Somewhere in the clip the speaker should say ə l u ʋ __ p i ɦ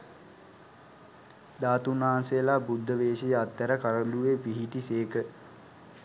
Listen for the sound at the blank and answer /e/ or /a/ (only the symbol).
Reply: e